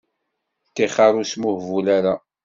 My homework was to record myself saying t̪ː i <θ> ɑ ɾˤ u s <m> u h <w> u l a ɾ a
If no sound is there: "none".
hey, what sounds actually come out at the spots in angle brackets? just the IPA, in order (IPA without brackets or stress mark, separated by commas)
χ, m, v